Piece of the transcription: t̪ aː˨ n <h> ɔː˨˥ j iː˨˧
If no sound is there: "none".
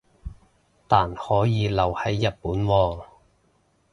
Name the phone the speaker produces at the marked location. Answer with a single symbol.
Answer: h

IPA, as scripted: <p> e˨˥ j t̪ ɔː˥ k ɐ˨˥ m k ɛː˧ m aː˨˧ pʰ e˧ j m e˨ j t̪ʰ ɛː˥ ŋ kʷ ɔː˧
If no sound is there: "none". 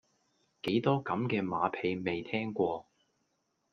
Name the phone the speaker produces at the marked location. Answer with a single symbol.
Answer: k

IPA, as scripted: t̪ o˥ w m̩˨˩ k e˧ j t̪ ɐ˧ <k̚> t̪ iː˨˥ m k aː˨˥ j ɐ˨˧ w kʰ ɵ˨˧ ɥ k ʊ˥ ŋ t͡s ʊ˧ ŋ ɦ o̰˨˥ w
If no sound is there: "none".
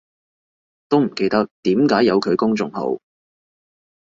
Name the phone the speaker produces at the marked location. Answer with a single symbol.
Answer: k̚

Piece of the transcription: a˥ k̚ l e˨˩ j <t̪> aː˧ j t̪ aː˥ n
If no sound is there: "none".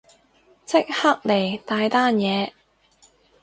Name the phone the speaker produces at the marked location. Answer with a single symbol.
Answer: t̪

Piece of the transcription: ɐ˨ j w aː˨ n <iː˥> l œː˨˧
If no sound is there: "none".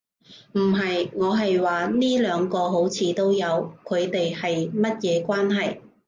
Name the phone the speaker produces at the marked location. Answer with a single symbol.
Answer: iː˥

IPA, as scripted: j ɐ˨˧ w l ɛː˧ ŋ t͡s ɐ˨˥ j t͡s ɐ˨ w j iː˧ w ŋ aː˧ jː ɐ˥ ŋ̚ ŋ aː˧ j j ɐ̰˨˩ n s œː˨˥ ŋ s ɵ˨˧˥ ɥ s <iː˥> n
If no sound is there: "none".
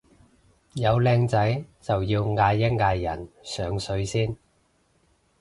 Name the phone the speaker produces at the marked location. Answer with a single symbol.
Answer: iː˥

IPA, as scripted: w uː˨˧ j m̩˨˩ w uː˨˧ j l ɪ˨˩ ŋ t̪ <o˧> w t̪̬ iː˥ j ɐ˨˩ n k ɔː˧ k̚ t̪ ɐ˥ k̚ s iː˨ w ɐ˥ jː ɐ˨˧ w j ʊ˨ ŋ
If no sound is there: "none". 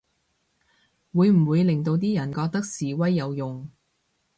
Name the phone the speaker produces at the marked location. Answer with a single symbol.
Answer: o˧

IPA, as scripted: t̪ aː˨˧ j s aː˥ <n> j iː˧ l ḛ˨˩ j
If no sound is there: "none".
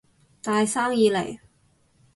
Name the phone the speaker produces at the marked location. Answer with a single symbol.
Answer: ŋ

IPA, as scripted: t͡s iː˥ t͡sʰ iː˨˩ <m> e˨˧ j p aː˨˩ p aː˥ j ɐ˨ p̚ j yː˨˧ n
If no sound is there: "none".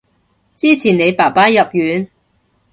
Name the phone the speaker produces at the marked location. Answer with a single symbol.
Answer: n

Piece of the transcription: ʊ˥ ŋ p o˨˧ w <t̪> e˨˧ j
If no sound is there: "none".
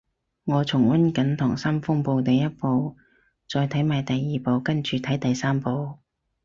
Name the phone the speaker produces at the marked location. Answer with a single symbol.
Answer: t̪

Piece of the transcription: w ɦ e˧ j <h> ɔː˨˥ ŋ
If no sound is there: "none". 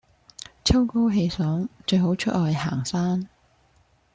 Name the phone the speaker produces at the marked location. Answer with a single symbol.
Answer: s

